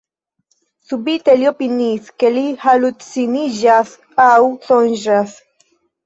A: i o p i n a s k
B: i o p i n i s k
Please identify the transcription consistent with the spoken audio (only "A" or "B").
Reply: B